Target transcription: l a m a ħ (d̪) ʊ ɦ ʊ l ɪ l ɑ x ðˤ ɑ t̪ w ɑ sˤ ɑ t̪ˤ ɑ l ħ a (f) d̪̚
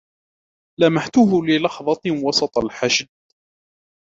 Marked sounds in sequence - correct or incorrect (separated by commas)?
incorrect, incorrect